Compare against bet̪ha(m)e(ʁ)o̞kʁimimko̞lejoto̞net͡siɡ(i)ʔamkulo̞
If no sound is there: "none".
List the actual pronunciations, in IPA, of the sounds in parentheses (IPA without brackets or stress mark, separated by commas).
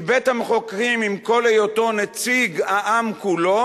m, χ, a